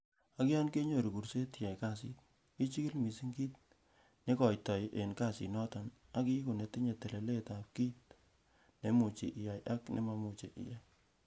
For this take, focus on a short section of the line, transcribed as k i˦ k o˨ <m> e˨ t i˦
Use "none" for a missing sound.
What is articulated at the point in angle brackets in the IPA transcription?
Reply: n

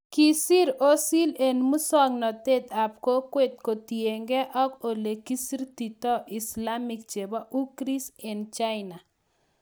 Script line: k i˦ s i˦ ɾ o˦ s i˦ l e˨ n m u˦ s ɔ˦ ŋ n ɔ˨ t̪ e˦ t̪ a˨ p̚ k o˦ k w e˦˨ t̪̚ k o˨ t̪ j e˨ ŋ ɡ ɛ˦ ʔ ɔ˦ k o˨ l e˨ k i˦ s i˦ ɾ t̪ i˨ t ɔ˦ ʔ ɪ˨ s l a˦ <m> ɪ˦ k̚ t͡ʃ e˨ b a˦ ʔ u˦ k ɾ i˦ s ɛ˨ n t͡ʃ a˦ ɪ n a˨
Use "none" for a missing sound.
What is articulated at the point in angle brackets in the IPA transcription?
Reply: m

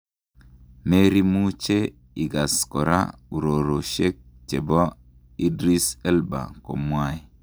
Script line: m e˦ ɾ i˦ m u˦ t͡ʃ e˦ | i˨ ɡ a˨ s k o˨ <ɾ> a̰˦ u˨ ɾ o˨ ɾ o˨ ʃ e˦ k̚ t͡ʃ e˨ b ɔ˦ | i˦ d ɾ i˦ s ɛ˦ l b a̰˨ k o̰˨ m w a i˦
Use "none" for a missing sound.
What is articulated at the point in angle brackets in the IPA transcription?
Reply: ɾ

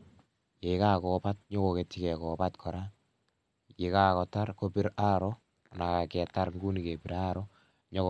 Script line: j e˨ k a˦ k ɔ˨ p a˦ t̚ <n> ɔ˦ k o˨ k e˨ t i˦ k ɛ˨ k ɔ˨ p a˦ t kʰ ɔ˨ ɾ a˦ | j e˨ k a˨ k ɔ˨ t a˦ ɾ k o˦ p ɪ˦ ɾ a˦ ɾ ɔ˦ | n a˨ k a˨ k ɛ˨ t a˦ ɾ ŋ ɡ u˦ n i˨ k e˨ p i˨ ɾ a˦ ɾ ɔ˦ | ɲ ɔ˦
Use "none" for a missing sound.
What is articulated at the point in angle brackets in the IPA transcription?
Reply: ɲ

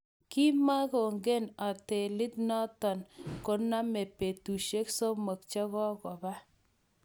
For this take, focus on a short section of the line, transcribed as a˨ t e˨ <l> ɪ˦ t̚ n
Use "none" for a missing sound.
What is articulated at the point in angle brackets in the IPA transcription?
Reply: l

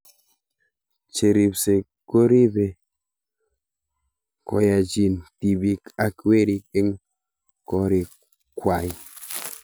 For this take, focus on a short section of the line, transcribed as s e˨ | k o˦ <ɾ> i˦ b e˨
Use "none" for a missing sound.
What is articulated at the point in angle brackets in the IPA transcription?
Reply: ɾ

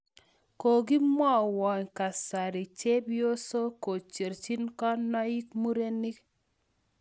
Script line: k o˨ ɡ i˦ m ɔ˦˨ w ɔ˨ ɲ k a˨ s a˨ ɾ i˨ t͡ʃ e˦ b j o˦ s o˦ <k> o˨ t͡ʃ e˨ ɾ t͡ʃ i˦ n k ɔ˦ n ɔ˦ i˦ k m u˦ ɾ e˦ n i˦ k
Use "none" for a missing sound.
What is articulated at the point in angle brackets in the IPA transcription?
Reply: k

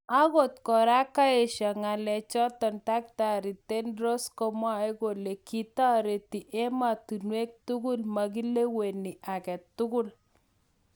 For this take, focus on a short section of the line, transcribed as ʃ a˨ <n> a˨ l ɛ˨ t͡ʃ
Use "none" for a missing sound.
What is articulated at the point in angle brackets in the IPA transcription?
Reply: ŋ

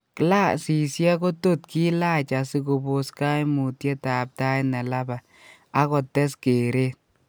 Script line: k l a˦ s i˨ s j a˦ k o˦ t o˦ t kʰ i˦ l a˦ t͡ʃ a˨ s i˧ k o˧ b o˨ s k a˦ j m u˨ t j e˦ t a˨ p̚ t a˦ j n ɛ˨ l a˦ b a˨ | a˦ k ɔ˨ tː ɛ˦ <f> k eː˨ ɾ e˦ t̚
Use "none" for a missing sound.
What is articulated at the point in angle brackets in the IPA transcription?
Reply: s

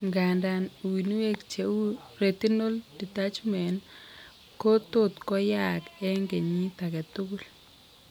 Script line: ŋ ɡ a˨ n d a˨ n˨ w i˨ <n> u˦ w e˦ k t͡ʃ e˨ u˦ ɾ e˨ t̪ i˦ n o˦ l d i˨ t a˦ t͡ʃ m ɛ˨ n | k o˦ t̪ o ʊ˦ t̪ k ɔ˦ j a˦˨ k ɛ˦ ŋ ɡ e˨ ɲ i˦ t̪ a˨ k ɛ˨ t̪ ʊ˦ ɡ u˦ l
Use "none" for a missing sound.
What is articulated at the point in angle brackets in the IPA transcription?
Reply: n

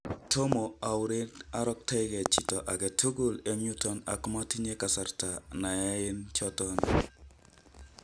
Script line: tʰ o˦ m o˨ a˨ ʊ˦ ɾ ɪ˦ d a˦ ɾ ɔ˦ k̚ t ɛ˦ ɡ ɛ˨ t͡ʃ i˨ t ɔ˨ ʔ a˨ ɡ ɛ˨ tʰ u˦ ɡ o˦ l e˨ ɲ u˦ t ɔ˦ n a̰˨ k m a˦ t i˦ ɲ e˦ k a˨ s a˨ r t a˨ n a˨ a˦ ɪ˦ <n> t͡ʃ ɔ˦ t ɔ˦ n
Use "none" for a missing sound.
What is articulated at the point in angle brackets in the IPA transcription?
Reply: n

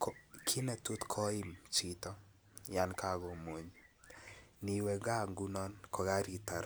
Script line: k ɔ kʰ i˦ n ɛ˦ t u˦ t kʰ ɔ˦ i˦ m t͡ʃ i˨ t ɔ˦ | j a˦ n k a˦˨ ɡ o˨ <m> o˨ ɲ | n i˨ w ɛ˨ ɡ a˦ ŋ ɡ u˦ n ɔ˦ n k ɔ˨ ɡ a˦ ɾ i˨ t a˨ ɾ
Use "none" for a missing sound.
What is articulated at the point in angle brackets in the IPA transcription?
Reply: m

